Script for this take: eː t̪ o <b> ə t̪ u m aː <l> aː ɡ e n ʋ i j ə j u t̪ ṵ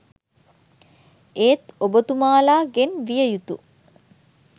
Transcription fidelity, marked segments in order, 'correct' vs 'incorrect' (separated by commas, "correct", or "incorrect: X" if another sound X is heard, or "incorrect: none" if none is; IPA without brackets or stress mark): correct, correct